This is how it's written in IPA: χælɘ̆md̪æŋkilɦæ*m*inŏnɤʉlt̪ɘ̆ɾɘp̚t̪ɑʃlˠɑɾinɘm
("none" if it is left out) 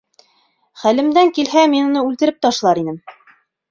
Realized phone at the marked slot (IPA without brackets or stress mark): m